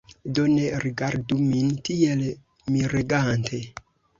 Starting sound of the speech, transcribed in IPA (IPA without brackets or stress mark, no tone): d